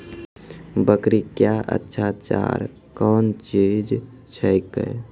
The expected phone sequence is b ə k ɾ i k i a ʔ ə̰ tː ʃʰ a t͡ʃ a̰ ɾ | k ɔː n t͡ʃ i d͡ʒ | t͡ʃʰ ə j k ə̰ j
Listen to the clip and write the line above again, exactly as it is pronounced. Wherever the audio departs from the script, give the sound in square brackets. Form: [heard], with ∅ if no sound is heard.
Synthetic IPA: b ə k ɾ i k [j] a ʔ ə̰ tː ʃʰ a t͡ʃ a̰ ɾ | k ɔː n t͡ʃ i d͡ʒ | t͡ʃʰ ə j k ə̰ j

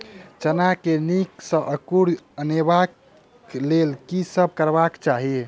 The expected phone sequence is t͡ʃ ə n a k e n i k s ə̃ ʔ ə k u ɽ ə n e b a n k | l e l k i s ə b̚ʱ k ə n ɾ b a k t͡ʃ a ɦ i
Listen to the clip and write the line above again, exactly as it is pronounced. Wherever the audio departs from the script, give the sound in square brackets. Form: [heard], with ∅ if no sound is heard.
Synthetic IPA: t͡ʃ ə n a k e n i k s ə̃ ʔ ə k u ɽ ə n e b a [∅] k | l e l k i s ə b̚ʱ k ə [∅] ɾ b a k t͡ʃ a ɦ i

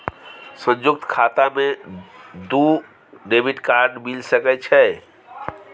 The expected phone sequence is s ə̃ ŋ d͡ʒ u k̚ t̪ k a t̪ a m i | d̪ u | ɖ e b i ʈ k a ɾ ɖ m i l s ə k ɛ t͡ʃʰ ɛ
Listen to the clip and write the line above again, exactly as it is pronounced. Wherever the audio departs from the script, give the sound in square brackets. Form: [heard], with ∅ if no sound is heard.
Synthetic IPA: s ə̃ [n] d͡ʒ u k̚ t̪ [kʰ] a t̪ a m [e] | d̪ u | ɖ e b i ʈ k a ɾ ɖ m i l s ə k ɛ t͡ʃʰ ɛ

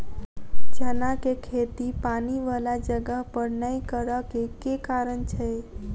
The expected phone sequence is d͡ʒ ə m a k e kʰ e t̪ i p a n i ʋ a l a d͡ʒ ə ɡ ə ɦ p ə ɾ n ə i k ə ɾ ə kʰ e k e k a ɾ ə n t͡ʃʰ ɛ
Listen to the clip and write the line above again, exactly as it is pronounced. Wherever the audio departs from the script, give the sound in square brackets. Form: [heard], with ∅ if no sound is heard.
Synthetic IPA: d͡ʒ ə [n] a k e kʰ e t̪ i p a n i ʋ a l a d͡ʒ ə ɡ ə ɦ p ə ɾ n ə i k ə ɾ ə [k] e k e k a ɾ ə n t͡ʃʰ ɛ

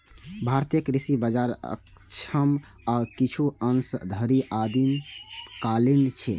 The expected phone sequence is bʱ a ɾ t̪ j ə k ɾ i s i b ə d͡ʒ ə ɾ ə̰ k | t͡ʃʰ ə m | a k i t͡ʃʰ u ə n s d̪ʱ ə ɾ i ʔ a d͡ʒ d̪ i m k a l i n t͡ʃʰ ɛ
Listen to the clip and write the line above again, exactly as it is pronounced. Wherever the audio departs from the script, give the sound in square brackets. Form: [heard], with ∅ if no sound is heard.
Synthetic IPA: bʱ a ɾ t̪ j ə k ɾ i s i b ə d͡ʒ [a] ɾ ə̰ k | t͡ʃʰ ə m | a k i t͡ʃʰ u ə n s d̪ʱ ə ɾ i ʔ a [∅] d̪ i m k a l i n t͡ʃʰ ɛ

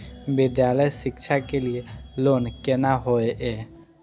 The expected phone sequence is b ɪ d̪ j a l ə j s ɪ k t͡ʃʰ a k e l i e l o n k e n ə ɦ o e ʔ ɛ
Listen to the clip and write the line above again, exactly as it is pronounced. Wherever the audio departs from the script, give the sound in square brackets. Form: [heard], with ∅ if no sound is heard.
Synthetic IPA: b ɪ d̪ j a l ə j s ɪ k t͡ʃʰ a k e l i e l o n k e n [a] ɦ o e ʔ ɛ

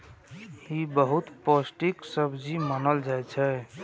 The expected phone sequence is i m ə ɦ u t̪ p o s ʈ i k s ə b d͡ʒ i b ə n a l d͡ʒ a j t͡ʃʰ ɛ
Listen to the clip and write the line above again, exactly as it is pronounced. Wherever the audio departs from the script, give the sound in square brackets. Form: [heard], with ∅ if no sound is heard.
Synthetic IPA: i [b] ə ɦ u t̪ p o s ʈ i k s ə b d͡ʒ i [m] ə n [ə] l d͡ʒ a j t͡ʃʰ ɛ

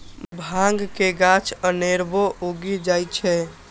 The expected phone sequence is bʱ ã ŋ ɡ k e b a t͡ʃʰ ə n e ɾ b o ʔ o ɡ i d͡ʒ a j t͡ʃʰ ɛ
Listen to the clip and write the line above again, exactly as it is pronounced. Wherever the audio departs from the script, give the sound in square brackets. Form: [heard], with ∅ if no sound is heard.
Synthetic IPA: bʱ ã ŋ ɡ k e [ɡ] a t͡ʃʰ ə n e ɾ b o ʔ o ɡ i d͡ʒ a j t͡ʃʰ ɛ

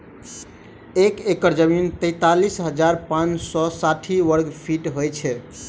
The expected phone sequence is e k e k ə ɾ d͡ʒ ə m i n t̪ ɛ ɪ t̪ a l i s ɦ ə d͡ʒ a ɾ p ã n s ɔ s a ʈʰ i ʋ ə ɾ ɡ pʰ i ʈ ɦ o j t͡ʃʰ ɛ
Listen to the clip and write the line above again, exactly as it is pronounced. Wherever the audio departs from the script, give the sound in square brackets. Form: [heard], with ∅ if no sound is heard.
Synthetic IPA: e k e k ə ɾ d͡ʒ ə m i n t̪ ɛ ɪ t̪ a l i s ɦ ə d͡ʒ a ɾ p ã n s ɔ s a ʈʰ i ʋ ə ɾ ɡ pʰ i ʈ ɦ o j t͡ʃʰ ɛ

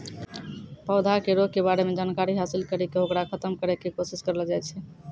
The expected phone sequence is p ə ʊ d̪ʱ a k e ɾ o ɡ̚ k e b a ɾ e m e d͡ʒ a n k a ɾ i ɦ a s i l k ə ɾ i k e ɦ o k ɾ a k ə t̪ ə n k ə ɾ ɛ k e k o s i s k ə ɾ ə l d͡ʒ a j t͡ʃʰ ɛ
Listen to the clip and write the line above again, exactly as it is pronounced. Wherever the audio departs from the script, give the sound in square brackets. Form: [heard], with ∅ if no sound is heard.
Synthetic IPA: p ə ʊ d̪ʱ a k e ɾ o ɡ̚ k e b a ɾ e m e d͡ʒ a n k a ɾ i ɦ a s i l k ə ɾ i k e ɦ o k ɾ a [kʰ] ə t̪ ə [m] k ə ɾ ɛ k e k o s i s k ə ɾ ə l d͡ʒ a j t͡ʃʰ ɛ

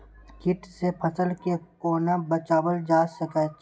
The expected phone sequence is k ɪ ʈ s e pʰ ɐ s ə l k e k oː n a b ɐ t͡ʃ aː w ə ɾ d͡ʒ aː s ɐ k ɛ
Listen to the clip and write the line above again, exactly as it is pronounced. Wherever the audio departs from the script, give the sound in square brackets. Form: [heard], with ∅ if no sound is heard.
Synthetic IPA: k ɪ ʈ s e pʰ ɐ s ə l k e k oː n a b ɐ t͡ʃ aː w ə [l] d͡ʒ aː s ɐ k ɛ

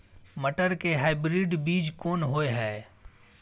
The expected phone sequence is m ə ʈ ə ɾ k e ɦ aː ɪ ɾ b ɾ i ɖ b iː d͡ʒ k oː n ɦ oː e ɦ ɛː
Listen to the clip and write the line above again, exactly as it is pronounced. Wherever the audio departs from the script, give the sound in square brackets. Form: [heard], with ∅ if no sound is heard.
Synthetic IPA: m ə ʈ ə ɾ k e ɦ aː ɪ [∅] b ɾ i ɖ b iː d͡ʒ k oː n ɦ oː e ɦ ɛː

